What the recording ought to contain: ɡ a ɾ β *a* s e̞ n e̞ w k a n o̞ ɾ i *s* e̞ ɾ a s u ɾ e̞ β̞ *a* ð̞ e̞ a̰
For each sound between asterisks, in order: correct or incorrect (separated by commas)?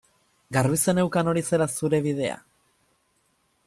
incorrect, correct, incorrect